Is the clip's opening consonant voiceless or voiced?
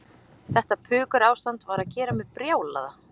voiceless